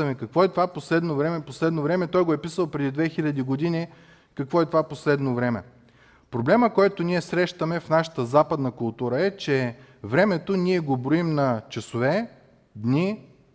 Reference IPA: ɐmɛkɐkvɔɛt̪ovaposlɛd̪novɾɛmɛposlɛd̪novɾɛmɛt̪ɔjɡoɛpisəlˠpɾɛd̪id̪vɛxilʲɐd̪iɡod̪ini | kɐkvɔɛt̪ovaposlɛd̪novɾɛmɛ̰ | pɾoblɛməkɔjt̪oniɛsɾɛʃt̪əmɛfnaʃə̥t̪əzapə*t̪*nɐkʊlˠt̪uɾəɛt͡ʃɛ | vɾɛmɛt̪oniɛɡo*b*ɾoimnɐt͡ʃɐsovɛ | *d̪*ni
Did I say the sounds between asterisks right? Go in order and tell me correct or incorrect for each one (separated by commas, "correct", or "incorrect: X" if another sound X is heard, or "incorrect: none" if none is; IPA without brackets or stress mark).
incorrect: d̪, correct, correct